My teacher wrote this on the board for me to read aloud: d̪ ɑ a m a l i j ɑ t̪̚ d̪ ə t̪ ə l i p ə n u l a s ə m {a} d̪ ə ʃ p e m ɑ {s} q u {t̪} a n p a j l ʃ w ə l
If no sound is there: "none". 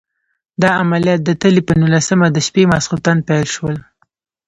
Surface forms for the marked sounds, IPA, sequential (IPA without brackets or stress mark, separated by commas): a, s, t̪